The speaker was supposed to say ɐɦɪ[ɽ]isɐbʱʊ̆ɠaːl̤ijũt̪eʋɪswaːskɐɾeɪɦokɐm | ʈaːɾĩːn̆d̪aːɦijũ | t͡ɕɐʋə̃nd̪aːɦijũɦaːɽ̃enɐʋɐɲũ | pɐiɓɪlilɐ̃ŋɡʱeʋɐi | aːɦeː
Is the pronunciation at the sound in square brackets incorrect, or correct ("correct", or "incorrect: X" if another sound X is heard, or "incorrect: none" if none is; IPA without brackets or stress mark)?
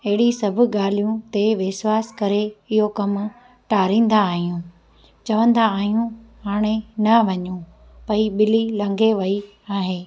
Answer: correct